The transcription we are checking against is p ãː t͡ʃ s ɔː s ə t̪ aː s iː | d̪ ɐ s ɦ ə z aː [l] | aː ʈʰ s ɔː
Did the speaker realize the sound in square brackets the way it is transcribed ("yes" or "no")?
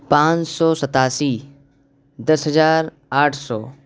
no